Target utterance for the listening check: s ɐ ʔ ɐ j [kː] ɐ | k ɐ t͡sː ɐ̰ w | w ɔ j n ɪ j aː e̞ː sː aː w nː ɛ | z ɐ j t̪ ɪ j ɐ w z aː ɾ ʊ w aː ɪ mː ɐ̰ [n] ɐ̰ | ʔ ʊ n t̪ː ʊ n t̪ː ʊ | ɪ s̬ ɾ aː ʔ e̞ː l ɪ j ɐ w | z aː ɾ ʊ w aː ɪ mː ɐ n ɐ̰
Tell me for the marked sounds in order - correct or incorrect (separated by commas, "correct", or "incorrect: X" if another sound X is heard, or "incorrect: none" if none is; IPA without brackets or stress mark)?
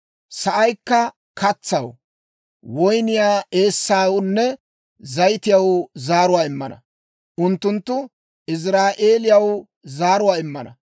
correct, correct